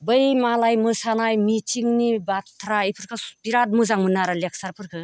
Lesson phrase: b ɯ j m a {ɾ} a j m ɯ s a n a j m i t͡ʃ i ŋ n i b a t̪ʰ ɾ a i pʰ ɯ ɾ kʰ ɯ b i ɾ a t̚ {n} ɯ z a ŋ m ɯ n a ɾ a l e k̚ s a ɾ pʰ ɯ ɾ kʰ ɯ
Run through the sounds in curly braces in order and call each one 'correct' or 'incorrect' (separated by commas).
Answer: incorrect, incorrect